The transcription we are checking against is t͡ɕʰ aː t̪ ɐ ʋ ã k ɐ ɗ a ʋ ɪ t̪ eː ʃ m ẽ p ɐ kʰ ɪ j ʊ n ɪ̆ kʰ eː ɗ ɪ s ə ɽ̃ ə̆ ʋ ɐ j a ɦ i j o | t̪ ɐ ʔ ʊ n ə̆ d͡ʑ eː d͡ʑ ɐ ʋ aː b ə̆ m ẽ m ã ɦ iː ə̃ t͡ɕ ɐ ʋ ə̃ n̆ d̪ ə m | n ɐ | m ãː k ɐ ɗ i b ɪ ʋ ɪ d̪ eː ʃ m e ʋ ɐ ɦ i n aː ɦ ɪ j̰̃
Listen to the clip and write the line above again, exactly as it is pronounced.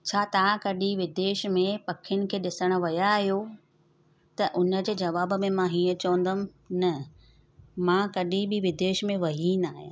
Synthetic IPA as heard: t͡ɕʰ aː t̪ ɐ ʋ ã k ɐ ɗ i ʋ ɪ d̪ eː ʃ m ẽ p ɐ kʰ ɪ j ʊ n ɪ̆ kʰ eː ɗ ɪ s ə ɽ̃ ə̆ ʋ ɐ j a ɦ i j o | t̪ ɐ ʔ ʊ n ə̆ d͡ʑ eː d͡ʑ ɐ ʋ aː b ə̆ m ẽ m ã ɦ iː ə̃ t͡ɕ ɐ ʋ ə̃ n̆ d̪ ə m | n ɐ | m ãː k ɐ ɗ i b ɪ ʋ ɪ d̪ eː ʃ m ẽ ʋ ɐ ɦ i n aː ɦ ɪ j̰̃